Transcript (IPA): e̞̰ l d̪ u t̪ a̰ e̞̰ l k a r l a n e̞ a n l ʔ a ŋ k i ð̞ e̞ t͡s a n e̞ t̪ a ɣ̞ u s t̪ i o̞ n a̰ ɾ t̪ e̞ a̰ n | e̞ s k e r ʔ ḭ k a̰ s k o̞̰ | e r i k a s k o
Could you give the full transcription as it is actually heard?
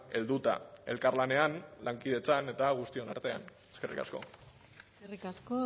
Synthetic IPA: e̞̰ l d̪ u t̪ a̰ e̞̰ l k a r l a n e̞ a n l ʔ a ŋ k i ð̞ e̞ t͡s a n e̞ t̪ a ɣ̞ u s t̪ i o̞ n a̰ ɾ t̪ e̞ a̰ n | e̞ s k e r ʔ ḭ k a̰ s k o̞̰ | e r i k a s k o